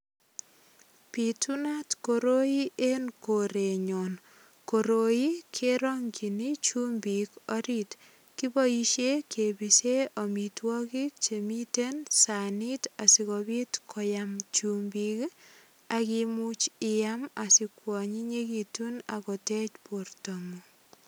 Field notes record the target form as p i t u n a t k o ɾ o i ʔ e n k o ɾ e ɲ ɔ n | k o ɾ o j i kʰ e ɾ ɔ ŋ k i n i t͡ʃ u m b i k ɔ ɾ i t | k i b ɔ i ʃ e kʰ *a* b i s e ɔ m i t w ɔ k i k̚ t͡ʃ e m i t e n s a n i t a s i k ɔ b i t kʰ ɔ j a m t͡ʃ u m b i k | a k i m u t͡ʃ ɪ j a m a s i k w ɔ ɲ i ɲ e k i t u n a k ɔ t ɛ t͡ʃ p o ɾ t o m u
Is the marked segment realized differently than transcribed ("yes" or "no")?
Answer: yes